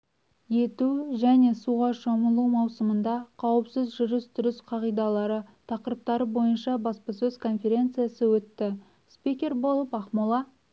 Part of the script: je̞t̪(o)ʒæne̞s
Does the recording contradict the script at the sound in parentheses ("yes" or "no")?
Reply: yes